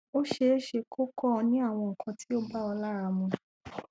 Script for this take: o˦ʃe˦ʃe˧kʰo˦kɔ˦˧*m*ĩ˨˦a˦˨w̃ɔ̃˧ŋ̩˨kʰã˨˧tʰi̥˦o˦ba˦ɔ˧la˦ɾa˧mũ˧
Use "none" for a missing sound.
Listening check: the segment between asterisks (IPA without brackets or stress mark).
n